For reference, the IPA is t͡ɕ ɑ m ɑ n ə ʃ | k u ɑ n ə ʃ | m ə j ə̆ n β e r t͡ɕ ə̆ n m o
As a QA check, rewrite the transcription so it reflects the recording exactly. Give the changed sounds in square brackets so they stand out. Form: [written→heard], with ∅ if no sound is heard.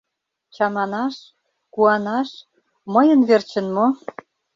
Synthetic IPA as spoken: t͡ɕ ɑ m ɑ n [ə→ɑ] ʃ | k u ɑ n [ə→ɑ] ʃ | m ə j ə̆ n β e r t͡ɕ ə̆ n m o